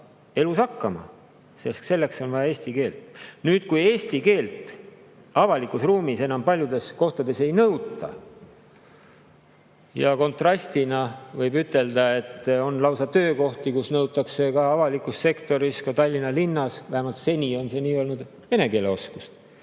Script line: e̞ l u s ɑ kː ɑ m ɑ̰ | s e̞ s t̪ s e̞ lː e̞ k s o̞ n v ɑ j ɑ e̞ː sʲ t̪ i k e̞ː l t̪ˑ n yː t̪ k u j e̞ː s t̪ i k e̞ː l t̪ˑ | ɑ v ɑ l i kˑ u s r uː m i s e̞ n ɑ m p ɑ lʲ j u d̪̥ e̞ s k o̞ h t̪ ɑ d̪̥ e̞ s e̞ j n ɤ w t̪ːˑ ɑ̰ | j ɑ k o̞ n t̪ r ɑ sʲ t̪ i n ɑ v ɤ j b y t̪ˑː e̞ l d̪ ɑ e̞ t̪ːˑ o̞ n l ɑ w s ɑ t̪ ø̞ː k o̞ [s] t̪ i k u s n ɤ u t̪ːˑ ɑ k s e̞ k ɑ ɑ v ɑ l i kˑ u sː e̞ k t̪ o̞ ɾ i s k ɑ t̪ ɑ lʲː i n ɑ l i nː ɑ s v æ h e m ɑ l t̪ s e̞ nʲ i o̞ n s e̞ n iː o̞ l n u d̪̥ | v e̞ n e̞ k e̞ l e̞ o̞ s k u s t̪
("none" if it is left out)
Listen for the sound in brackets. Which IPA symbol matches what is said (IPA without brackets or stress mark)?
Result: h